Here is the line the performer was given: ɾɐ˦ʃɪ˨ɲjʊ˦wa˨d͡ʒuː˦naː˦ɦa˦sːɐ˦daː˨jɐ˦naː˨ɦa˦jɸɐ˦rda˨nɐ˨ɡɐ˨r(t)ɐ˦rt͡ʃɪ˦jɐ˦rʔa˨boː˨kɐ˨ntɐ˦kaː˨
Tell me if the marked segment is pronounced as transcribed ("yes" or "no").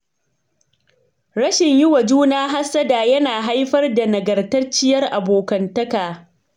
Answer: yes